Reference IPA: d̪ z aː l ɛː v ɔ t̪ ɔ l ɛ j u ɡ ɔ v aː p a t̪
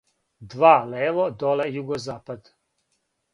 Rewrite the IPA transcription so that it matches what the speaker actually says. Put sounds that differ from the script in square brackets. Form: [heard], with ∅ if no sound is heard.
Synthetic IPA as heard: d̪ [v] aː l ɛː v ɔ [d̪] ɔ l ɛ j u ɡ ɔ [z] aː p a [d̪]